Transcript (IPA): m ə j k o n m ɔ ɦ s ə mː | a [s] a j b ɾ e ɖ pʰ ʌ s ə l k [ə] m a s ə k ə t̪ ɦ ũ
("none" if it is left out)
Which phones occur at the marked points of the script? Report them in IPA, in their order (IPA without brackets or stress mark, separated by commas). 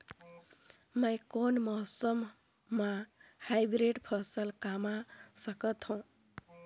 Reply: h, a